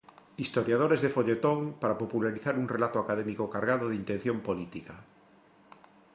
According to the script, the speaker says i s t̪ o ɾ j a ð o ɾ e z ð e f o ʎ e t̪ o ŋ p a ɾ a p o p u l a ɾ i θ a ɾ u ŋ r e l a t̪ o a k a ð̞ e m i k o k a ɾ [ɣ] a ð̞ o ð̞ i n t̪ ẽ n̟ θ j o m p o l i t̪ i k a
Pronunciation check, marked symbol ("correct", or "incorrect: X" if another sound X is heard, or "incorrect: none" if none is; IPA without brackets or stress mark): correct